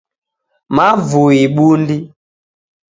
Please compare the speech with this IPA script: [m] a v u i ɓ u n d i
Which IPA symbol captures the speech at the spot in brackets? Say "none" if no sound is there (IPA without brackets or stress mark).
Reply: m